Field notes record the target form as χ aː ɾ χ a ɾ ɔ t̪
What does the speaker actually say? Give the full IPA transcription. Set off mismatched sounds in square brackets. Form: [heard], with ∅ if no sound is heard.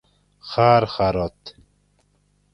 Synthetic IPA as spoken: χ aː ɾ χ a ɾ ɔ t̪